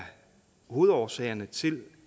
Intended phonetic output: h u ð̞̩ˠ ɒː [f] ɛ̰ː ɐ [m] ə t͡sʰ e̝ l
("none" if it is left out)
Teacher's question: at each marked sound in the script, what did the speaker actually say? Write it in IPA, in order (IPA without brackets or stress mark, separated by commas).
s, n